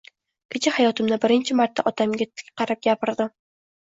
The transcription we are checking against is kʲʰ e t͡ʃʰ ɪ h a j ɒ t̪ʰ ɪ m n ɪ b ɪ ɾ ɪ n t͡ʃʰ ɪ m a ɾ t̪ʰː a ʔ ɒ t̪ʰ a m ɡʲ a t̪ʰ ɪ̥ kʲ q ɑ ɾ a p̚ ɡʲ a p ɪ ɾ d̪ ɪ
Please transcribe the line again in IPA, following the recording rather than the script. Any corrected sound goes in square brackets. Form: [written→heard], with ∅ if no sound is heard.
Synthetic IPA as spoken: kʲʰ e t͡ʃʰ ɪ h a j ɒ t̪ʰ ɪ m n ɪ b ɪ ɾ ɪ n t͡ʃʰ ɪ m a ɾ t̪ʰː a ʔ ɒ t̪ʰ a m ɡʲ a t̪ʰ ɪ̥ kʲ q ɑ ɾ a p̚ ɡʲ a p ɪ ɾ d̪ ɪ